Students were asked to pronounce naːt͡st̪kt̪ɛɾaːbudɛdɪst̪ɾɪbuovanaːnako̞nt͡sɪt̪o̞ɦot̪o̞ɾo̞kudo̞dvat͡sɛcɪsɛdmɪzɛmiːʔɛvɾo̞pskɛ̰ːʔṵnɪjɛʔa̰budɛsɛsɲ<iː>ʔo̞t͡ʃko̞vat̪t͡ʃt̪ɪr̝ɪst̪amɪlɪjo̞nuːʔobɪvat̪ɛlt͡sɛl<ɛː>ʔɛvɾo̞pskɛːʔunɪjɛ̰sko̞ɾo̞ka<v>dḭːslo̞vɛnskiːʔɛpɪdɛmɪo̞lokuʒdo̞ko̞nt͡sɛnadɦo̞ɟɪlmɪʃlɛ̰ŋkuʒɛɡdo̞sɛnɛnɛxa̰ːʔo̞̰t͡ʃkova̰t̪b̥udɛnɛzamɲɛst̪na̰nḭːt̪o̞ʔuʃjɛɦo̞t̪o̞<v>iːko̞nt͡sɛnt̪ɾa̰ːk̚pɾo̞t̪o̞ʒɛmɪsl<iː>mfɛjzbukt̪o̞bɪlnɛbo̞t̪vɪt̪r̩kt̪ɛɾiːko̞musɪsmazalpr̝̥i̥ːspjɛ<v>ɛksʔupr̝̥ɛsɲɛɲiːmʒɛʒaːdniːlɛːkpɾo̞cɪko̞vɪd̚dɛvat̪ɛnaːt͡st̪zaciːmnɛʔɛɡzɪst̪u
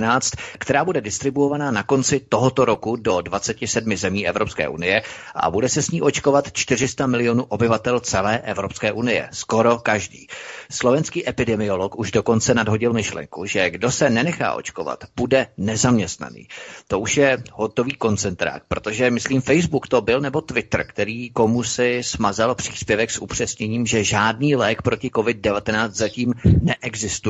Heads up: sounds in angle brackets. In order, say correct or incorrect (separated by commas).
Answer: correct, correct, incorrect, correct, correct, correct